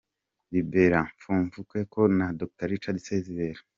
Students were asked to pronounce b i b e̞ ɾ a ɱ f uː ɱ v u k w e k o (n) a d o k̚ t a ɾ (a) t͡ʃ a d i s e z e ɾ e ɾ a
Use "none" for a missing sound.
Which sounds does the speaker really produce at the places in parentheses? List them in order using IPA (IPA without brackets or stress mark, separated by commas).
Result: n, i